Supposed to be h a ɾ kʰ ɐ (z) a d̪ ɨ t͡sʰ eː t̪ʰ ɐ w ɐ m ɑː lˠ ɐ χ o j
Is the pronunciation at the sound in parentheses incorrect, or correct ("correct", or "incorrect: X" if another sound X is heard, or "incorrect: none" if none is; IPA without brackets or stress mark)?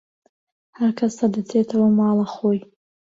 incorrect: s